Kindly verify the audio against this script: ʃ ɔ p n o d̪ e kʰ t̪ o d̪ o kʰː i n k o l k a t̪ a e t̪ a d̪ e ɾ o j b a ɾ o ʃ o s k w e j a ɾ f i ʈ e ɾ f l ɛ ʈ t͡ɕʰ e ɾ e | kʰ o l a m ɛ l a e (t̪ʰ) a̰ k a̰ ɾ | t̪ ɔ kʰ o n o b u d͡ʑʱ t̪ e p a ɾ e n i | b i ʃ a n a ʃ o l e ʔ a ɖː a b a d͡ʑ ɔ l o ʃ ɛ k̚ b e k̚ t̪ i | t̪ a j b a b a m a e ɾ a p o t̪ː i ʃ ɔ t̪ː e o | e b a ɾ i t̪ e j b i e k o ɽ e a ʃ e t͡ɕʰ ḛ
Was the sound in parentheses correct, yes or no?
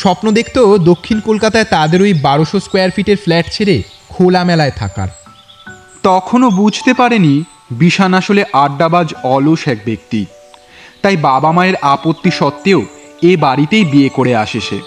yes